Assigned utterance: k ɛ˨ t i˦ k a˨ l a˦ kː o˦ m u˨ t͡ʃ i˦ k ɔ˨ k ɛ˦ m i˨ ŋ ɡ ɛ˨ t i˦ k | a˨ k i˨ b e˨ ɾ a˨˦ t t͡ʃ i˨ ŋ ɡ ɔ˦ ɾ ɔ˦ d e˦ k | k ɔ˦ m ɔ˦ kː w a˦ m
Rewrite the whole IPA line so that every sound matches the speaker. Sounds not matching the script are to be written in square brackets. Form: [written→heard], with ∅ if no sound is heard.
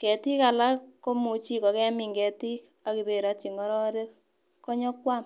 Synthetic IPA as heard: k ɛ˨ t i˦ k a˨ l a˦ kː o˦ m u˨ t͡ʃ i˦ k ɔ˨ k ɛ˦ m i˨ ŋ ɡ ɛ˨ t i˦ k | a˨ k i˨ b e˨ ɾ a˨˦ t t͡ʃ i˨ ŋ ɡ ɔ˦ ɾ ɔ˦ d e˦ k | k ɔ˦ [m→ɲ] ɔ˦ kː w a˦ m